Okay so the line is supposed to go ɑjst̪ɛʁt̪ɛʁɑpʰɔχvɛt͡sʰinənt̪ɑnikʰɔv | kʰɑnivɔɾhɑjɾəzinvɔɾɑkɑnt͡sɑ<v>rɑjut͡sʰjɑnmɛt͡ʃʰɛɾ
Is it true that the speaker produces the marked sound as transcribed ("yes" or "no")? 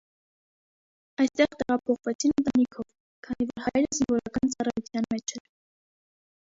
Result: no